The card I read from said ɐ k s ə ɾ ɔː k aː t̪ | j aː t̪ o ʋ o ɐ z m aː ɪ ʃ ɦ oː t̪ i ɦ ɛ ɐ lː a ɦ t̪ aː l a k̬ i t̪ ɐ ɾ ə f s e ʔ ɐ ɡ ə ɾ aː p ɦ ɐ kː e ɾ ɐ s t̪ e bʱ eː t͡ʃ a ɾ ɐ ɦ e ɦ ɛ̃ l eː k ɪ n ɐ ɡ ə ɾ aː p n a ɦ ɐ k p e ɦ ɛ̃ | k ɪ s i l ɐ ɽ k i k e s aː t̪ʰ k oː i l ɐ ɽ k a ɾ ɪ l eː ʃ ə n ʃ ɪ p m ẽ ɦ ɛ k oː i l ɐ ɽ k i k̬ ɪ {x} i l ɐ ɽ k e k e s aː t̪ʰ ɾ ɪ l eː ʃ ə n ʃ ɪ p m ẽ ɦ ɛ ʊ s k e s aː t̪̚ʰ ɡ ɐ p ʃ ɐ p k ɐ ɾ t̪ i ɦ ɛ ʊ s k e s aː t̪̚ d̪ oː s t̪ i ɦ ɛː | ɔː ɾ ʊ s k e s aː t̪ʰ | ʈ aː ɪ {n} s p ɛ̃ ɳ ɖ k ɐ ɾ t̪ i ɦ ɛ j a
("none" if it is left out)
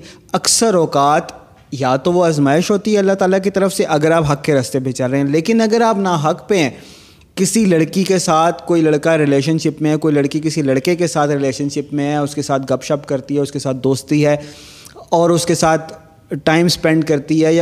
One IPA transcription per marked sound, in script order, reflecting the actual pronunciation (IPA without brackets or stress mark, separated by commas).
s, m